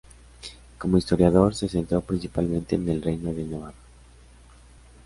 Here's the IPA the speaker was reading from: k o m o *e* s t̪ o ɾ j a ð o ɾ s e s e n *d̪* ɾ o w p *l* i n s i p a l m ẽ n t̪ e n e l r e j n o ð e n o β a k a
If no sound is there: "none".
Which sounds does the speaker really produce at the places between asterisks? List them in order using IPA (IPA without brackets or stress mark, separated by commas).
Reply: i, t̪, ɾ